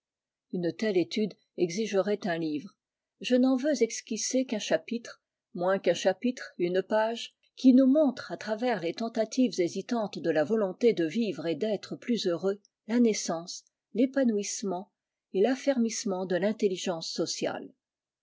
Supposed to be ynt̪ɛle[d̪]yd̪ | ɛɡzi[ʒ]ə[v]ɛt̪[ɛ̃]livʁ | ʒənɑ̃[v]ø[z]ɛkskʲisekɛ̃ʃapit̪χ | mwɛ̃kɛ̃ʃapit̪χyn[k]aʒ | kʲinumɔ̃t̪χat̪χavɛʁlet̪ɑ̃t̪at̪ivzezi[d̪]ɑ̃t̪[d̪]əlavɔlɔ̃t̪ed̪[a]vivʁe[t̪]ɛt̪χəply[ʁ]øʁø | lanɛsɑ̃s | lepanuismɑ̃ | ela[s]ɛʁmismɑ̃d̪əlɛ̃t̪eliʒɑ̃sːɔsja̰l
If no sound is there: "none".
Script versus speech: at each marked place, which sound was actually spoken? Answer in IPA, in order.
t̪, ʒ, ʁ, ɛ̃, v, z, p, t̪, d̪, ə, d̪, z, f

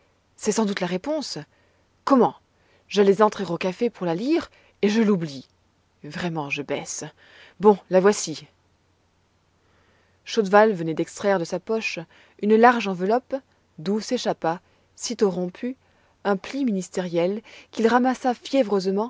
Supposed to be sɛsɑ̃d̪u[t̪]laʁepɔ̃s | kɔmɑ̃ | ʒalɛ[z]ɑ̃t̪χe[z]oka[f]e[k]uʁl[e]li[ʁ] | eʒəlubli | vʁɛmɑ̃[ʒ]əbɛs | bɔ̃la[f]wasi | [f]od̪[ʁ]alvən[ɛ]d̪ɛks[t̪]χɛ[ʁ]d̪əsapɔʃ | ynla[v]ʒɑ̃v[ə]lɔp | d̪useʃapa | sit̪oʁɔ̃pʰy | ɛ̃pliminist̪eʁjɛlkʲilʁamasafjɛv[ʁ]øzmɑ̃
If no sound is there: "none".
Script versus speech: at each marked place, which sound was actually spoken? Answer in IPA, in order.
t̪, z, ʁ, f, p, a, ʁ, ʒ, v, ʃ, v, ɛ, t̪, ʁ, ʁ, ə, ʁ

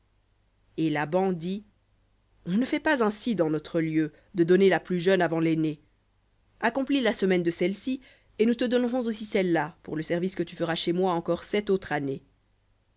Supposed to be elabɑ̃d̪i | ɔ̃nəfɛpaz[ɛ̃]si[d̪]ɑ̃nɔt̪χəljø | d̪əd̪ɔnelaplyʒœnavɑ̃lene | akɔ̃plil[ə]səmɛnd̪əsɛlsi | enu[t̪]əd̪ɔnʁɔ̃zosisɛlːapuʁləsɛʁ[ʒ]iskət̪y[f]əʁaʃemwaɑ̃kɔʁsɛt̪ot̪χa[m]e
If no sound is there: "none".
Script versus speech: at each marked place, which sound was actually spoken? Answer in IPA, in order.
ɛ̃, d̪, a, t̪, v, f, n

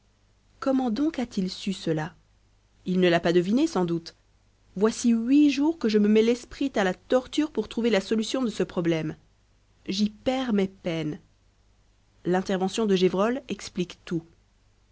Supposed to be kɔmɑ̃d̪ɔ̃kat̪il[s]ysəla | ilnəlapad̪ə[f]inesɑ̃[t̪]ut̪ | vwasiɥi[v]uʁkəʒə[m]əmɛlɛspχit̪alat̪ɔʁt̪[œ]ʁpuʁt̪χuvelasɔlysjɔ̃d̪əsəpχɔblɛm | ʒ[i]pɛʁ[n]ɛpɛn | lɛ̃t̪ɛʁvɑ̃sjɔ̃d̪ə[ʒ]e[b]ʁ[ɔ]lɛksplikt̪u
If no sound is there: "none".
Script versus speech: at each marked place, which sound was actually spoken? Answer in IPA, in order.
s, v, d̪, ʒ, m, y, i, m, ʒ, v, ɔ

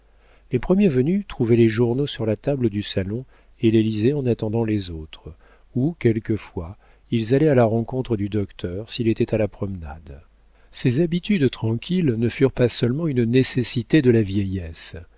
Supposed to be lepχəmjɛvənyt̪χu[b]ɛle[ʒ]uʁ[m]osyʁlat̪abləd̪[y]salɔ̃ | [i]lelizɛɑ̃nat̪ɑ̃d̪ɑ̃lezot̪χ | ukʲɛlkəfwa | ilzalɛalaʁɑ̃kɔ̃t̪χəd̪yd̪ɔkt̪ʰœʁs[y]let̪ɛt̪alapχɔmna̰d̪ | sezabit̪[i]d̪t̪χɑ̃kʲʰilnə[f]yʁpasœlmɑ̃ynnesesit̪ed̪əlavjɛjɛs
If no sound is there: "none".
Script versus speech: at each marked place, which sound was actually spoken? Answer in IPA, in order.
v, ʒ, n, y, e, i, y, f

